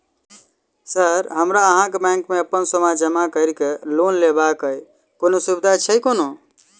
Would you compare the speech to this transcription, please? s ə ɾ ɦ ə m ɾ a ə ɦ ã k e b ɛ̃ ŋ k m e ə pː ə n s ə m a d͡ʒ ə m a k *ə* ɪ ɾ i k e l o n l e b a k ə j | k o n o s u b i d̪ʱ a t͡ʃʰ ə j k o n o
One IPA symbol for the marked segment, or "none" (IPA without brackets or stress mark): ə